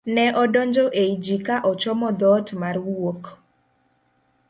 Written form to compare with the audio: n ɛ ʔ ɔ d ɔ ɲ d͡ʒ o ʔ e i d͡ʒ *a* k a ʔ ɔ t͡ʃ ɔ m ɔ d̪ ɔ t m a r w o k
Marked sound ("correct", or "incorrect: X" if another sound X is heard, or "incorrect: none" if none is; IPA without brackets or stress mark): incorrect: i